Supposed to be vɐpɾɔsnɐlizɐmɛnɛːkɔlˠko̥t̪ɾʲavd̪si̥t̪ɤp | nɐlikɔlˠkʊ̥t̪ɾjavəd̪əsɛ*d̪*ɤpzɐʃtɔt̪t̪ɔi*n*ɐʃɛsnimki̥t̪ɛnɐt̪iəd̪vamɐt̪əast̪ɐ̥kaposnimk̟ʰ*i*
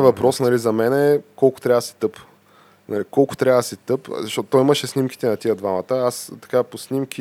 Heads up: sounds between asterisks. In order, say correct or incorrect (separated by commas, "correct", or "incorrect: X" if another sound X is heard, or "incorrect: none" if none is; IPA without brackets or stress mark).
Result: incorrect: t̪, incorrect: m, correct